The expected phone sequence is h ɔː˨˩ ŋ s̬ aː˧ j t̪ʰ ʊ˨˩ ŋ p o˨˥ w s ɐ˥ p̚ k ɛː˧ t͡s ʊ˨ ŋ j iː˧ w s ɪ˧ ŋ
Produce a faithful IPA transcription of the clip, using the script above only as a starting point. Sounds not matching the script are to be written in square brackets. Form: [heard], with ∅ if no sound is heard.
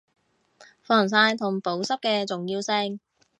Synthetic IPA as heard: [f] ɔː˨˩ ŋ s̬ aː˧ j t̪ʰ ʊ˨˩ ŋ p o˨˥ w s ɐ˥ p̚ k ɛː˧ t͡s ʊ˨ ŋ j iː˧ w s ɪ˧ ŋ